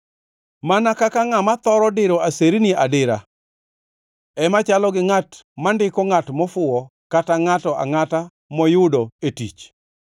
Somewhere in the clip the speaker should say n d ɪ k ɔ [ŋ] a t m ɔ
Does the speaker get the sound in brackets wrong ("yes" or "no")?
no